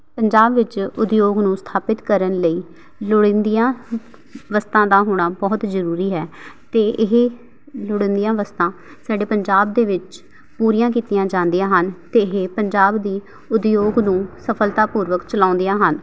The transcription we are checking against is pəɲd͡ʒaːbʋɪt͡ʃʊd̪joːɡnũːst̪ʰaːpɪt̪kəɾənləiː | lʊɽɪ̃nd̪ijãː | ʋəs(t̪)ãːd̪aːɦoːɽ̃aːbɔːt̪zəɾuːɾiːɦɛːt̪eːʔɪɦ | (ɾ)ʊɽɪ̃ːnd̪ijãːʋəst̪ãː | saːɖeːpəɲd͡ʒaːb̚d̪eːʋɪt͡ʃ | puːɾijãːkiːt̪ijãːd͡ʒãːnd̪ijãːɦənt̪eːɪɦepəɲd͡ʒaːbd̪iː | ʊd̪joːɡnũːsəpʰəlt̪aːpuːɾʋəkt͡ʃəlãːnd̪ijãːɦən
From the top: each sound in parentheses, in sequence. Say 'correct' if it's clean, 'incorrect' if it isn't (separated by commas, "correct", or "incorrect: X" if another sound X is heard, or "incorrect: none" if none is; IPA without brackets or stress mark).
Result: correct, incorrect: l